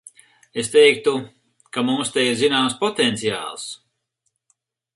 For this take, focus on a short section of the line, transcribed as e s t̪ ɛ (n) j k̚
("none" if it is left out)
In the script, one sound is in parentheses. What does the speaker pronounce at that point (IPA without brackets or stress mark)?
none